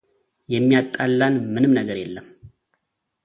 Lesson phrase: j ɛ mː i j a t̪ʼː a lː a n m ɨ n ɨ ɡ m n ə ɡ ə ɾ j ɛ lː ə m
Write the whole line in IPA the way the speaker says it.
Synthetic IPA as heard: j ɛ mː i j a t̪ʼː a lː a n m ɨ n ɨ m n ə ɡ ə ɾ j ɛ lː ə m